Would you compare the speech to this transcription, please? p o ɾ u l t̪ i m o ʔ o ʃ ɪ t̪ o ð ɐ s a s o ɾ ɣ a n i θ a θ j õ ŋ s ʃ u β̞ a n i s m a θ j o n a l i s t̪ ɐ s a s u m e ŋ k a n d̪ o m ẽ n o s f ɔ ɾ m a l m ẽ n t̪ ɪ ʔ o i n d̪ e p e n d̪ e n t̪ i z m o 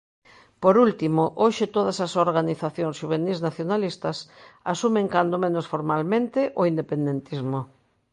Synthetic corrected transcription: p o ɾ u l t̪ i m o ʔ o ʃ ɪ t̪ o ð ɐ s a s o ɾ ɣ a n i θ a θ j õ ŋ s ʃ u β̞ e n i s n a θ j o n a l i s t̪ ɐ s a s u m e ŋ k a n d̪ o m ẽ n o s f o ɾ m a l m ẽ n t̪ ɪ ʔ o i n d̪ e p e n d̪ e n t̪ i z m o